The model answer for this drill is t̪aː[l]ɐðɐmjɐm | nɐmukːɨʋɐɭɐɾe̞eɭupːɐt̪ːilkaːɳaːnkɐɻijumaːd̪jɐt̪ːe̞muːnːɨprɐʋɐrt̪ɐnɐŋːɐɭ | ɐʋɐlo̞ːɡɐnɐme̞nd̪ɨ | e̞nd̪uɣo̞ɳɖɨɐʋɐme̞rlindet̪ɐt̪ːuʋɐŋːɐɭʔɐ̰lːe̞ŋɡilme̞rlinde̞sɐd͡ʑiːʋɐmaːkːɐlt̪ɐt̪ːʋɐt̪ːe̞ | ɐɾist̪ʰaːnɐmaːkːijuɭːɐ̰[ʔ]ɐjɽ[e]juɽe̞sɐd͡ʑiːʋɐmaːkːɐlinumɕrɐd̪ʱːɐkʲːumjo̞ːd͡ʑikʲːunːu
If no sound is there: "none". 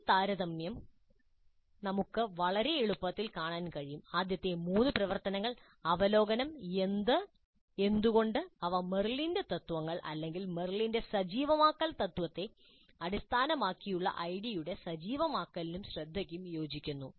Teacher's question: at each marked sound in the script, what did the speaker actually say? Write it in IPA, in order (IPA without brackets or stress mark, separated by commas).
ɾ, ʔ, i